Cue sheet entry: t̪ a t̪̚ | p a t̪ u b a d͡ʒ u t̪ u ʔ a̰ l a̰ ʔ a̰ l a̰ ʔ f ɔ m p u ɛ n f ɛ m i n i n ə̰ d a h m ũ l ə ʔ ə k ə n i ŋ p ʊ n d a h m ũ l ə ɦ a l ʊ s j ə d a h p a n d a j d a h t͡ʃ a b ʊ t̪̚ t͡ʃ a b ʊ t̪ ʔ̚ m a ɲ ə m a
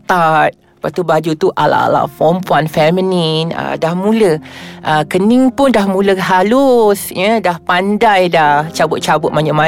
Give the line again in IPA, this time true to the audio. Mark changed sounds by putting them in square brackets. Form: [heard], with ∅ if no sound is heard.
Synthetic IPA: t̪ a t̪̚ | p a t̪ u b a d͡ʒ u t̪ u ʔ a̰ l a̰ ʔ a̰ l a̰ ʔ f ɔ m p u [a] n f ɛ m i n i n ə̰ d a h m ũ l ə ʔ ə k ə n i ŋ p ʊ n d a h m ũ l ə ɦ a l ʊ s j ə d a h p a n d a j d a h t͡ʃ a b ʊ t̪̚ t͡ʃ a b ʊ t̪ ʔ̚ m a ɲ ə m a